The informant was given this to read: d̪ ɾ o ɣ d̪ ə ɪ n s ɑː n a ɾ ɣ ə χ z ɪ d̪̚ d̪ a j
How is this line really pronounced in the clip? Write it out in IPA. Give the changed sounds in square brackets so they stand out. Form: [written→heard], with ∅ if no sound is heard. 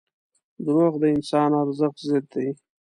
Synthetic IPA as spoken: d̪ ɾ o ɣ d̪ ə ɪ n s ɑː n a ɾ [ɣ→z] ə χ z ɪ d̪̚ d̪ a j

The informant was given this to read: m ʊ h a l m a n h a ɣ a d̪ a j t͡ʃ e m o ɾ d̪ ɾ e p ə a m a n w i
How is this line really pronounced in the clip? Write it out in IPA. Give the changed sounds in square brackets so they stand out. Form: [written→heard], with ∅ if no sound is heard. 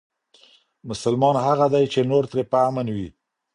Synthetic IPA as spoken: m ʊ [h→s] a l m [a→ɑ] n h a ɣ a d̪ a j t͡ʃ e [m→n] o ɾ [d̪→t̪] ɾ e p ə a m a n w i

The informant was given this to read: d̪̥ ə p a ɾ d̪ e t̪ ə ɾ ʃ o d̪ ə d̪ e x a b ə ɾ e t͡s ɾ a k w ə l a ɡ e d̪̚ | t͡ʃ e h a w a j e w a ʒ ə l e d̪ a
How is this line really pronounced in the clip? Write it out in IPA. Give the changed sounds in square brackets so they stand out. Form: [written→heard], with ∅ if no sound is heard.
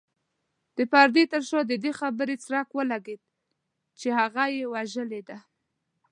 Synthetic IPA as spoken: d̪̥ ə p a ɾ d̪ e t̪ ə ɾ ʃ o d̪ ə d̪ e x a b ə ɾ e t͡s ɾ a k w ə l a ɡ e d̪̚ | t͡ʃ e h a [w→ɣ] a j e w a ʒ ə l e d̪ a

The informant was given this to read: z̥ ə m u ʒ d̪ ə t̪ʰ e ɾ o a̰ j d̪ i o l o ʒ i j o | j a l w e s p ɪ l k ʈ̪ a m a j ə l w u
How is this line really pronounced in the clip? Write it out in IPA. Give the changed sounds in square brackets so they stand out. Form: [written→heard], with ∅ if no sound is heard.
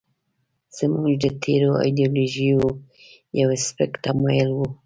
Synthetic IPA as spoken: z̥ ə m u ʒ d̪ ə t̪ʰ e ɾ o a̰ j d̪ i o l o ʒ i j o | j a [l→∅] w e s p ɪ [l→∅] k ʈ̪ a m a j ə l w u

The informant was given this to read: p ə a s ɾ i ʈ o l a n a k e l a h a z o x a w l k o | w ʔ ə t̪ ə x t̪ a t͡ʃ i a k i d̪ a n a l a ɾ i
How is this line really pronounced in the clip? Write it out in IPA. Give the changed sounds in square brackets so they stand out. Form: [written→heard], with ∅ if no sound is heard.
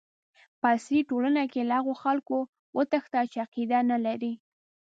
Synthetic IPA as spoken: p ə a s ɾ i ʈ o l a n a k e l a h a [z→ɣ] o x a [w→∅] l k o | w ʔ ə t̪ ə x t̪ a t͡ʃ [i→e] a [k→q] i d̪ a n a l a ɾ i

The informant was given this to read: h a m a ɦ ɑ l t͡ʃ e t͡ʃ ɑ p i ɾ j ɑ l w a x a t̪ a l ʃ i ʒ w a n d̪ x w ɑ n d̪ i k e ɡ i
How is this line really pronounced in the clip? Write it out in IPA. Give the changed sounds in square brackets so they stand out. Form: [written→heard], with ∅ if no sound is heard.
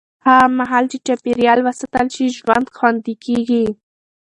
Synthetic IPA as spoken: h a m a ɦ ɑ l t͡ʃ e t͡ʃ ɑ p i ɾ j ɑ l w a [x→s] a t̪ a l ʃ i ʒ w a n d̪ x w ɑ n d̪ i k e ɡ i

